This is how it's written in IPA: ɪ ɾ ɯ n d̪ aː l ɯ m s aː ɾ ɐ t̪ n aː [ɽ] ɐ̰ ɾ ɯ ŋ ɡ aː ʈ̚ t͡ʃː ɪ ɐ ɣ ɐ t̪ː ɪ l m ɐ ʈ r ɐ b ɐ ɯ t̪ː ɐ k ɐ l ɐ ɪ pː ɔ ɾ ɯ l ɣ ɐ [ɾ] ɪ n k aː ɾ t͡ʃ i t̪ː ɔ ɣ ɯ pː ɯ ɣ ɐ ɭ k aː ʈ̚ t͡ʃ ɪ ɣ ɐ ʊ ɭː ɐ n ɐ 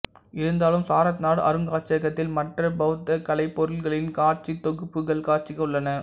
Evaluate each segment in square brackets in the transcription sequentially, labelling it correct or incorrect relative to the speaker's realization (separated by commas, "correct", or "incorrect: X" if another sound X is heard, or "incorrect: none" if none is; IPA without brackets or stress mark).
correct, incorrect: ɭ